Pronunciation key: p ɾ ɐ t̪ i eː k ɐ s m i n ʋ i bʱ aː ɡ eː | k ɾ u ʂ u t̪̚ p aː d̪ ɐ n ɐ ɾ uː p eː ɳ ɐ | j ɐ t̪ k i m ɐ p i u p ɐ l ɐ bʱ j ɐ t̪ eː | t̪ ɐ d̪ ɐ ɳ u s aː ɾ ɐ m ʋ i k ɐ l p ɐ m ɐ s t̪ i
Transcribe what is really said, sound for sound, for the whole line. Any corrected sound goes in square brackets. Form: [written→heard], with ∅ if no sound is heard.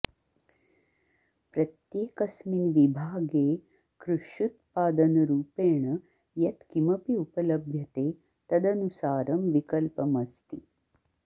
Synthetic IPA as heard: p ɾ ɐ t̪ [i→j] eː k ɐ s m i n ʋ i bʱ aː ɡ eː | k ɾ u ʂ u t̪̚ p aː d̪ ɐ n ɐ ɾ uː p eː ɳ ɐ | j ɐ t̪ k i m ɐ p i u p ɐ l ɐ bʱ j ɐ t̪ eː | t̪ ɐ d̪ ɐ [ɳ→n] u s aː ɾ ɐ m ʋ i k ɐ l p ɐ m ɐ s t̪ i